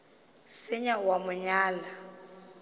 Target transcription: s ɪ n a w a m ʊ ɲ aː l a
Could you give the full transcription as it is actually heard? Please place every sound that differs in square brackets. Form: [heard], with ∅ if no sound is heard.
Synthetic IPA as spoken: s ɪ [ɲ] a w a m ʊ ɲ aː l a

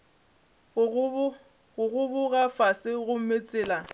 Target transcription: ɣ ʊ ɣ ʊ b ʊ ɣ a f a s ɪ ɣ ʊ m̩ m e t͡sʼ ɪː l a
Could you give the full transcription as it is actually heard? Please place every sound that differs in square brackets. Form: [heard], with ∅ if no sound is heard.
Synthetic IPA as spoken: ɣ ʊ ɣ ʊ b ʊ ɣ a f a s ɪ ɣ ʊ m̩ m e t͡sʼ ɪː l a

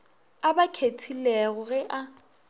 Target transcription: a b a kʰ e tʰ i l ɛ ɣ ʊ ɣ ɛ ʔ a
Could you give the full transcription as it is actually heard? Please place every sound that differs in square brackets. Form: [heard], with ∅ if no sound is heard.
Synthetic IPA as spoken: a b a kʰ e tʰ i l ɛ ɣ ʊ ɣ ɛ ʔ a

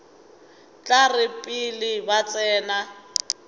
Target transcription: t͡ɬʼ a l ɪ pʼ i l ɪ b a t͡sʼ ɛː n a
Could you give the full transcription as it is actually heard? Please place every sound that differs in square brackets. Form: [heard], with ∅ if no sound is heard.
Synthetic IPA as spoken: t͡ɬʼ a [r] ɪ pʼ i l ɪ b a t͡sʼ ɛː n a

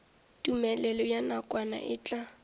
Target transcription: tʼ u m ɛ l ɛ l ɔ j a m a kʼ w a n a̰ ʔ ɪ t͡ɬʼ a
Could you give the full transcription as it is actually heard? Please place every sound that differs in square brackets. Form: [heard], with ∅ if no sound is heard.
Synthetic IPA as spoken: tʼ u m ɛ l ɛ l ɔ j a [n] a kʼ w a n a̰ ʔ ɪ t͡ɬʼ a

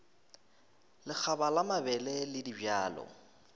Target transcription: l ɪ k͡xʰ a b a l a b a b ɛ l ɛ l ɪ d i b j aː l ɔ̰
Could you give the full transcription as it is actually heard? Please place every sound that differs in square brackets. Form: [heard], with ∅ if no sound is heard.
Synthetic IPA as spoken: l ɪ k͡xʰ a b a l a [m] a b ɛ l ɛ l ɪ d i b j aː l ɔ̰

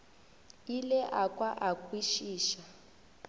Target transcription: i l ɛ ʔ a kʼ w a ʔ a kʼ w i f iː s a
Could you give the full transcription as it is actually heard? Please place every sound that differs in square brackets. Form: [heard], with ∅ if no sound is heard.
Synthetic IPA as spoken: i l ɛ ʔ a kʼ w a ʔ a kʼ w i [ʃ] iː [ʃ] a

